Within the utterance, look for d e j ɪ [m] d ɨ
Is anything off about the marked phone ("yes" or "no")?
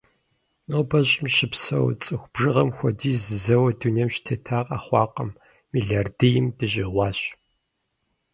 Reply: no